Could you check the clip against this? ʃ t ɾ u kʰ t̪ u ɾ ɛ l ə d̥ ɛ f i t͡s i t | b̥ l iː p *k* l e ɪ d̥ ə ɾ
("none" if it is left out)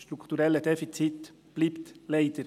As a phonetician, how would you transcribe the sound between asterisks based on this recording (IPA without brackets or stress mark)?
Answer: t